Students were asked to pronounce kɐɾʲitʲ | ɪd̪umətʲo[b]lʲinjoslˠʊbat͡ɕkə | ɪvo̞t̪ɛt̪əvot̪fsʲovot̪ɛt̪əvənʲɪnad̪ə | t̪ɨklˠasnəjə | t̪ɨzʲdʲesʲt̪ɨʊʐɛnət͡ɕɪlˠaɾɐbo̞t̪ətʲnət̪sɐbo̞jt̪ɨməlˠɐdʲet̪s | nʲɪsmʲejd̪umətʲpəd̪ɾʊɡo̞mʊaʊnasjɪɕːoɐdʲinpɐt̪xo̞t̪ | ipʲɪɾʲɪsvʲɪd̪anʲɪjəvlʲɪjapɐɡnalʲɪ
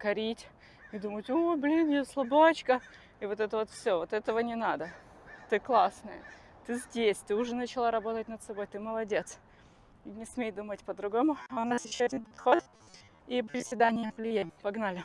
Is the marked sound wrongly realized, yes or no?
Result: no